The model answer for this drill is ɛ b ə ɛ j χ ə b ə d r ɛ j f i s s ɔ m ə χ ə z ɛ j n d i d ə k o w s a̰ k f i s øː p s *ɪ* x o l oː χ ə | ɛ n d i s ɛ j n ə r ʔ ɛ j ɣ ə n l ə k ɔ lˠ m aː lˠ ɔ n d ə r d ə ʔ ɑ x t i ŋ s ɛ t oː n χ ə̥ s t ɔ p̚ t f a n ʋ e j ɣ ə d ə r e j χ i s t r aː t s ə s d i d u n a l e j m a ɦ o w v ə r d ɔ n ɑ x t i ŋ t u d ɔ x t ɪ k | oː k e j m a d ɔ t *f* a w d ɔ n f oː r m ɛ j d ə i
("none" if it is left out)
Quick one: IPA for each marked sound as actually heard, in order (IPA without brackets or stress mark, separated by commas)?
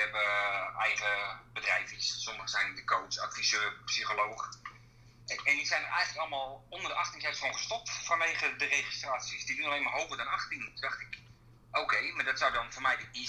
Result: i, s